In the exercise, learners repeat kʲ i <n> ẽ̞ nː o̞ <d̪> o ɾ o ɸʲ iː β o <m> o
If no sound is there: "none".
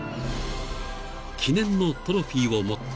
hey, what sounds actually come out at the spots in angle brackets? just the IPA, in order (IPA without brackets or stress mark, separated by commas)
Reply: n, t̪, m